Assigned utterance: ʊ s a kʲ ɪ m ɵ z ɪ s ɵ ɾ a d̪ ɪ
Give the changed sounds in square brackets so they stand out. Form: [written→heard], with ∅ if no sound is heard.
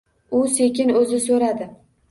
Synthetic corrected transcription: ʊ s [a→e] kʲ ɪ [m→n] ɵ z ɪ s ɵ ɾ a d̪ ɪ